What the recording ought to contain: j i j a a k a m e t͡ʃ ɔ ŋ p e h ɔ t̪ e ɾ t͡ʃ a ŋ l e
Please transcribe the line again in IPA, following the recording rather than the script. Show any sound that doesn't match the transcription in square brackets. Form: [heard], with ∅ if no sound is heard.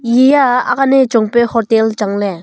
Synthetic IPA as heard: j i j a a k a [n] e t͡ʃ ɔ ŋ p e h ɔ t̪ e [l] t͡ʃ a ŋ l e